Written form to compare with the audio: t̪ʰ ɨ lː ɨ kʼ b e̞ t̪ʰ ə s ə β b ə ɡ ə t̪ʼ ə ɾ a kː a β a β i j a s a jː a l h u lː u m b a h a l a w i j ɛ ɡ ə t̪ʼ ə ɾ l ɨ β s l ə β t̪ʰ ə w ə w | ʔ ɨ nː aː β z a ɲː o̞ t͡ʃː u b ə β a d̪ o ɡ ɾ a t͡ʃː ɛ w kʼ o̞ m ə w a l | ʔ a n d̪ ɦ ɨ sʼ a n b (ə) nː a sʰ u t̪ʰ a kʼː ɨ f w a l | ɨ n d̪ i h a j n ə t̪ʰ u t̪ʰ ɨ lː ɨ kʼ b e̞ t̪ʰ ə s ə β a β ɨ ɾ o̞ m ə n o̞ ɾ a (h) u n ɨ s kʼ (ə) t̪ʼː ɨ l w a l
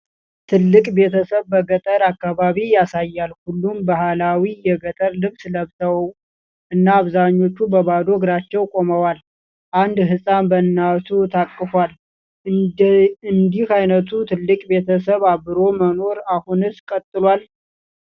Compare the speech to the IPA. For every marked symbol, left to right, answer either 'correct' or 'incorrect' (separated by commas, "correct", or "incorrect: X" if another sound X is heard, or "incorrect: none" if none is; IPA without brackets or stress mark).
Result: correct, correct, correct